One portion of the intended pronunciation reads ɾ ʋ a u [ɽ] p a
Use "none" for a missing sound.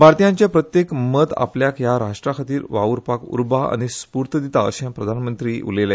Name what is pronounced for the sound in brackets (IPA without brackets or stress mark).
ɾ